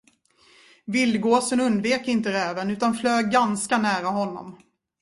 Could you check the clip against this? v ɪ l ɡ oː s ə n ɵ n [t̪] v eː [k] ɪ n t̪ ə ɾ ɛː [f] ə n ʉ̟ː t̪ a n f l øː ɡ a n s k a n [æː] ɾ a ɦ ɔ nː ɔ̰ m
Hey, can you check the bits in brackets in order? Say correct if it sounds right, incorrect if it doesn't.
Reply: incorrect: d̪, correct, incorrect: v, correct

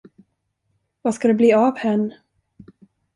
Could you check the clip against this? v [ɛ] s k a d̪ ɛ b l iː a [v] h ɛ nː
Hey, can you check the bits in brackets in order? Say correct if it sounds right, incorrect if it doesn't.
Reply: incorrect: a, correct

